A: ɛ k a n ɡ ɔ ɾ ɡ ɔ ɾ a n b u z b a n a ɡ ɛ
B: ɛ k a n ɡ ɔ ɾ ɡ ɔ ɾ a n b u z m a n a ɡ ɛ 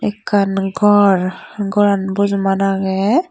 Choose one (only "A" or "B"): B